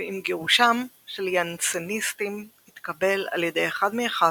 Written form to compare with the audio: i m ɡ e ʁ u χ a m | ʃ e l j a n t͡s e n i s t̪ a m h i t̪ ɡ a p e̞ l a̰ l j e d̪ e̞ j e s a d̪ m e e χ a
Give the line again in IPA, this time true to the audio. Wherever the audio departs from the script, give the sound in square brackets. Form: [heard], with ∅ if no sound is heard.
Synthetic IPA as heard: i m ɡ e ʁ u [ʃ] a m | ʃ e l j a n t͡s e n i s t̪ [i] m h i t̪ [k] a [b] e̞ l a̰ l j e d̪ e̞ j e [χ] a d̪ m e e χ a